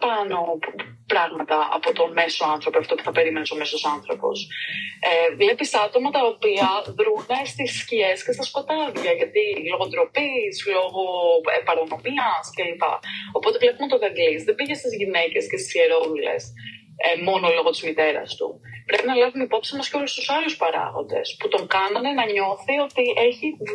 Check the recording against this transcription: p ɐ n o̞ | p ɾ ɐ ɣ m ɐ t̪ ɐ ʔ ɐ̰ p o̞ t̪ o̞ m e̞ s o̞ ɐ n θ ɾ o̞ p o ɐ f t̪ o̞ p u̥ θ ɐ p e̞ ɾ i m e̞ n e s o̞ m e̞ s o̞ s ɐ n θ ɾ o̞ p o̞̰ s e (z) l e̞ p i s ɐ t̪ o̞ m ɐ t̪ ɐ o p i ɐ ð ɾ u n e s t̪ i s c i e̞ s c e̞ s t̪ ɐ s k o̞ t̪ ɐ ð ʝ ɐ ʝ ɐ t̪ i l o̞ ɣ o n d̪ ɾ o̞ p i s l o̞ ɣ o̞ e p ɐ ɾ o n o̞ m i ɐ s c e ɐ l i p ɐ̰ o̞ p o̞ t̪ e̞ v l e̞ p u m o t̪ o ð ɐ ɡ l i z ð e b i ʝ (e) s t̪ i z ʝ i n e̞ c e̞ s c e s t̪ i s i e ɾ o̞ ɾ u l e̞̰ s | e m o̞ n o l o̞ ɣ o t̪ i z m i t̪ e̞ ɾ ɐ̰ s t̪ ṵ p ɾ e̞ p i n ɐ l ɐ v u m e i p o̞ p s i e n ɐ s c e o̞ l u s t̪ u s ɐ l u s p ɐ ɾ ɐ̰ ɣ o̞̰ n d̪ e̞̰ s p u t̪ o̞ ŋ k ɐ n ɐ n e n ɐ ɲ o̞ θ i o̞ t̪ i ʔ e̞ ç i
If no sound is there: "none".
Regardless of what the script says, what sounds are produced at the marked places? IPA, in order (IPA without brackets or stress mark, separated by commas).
v, e